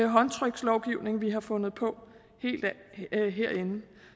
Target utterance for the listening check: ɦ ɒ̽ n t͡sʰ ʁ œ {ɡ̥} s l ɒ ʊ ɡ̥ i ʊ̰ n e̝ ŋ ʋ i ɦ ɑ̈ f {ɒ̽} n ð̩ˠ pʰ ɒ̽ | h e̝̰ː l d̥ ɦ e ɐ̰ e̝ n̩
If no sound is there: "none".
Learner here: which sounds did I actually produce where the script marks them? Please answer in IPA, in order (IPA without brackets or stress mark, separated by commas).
ɡ̥, ɔ̽